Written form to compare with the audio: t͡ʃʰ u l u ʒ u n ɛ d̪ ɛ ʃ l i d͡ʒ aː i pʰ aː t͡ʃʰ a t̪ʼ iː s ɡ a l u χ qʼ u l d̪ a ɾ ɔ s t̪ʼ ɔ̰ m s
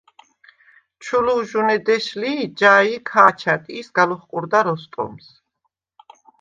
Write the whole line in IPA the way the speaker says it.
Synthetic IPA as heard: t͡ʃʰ u l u ʒ u n ɛ d̪ ɛ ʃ l i d͡ʒ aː i kʰ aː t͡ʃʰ a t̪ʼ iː s ɡ a l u χ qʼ u ɾ d̪ a ɾ ɔ s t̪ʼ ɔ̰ m s